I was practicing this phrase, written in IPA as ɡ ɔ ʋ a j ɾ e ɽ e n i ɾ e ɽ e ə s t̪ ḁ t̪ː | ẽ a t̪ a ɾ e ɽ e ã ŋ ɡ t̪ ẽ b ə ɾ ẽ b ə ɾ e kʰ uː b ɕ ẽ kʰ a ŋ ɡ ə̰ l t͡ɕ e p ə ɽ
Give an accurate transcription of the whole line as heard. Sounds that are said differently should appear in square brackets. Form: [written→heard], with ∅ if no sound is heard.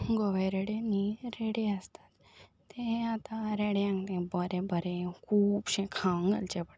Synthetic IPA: ɡ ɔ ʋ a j ɾ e ɽ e n i ɾ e ɽ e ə s t̪ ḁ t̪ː | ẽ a t̪ a ɾ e ɽ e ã ŋ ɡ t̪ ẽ b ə ɾ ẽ b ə ɾ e kʰ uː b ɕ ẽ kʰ a ŋ ɡ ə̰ l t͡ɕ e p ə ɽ